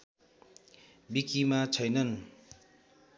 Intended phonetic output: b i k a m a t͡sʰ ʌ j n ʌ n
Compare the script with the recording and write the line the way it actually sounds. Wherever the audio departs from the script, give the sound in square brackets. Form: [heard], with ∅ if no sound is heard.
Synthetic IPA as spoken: b i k [i] m a t͡sʰ ʌ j n ʌ n